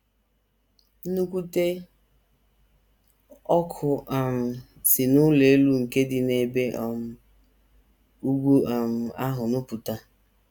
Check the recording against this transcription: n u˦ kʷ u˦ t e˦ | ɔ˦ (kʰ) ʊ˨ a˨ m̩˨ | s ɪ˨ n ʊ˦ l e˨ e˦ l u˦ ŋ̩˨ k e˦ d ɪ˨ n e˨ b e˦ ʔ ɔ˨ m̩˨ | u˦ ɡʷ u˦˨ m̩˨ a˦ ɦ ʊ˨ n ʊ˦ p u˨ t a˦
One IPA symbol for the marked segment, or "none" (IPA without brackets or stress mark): kʰ